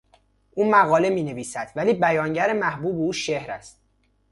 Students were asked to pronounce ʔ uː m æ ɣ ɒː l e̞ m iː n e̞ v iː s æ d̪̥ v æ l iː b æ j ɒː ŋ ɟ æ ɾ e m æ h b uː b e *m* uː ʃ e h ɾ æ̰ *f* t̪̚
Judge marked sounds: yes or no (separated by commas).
no, no